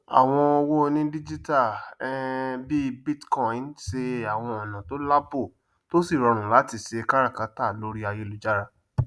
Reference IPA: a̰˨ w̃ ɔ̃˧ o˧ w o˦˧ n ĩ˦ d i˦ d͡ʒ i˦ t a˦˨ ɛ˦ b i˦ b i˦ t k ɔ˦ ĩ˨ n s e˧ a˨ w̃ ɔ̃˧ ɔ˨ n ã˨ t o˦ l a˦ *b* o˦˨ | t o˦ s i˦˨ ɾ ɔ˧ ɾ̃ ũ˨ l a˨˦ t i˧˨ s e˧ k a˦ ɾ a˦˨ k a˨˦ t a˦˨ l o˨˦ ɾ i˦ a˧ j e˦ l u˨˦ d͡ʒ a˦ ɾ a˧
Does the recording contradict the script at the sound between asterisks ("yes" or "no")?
no